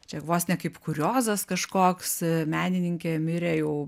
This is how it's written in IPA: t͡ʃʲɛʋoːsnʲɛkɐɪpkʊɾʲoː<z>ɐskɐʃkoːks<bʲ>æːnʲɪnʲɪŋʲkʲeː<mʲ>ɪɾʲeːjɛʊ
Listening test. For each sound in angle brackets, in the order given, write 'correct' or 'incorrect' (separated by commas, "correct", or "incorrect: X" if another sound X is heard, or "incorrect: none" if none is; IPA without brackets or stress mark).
correct, incorrect: mʲ, correct